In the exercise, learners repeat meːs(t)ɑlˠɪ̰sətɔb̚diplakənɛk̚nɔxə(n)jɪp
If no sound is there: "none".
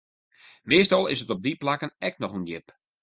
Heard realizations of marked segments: t, n

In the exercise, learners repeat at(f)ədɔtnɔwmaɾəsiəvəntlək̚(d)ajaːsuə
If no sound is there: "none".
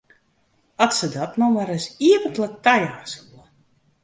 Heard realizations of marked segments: s, t

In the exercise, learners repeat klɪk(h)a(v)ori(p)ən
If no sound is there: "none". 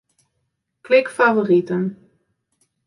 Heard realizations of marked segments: f, v, t

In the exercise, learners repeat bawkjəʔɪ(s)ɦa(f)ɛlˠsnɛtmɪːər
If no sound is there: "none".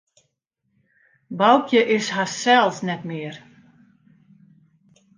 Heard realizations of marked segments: s, s

